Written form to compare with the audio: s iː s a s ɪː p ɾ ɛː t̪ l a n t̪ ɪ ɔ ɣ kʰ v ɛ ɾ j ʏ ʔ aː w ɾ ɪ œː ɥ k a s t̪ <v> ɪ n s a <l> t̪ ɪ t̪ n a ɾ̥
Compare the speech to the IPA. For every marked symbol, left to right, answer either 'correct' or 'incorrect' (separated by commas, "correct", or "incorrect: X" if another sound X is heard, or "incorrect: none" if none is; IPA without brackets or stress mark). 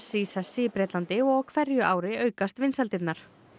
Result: correct, correct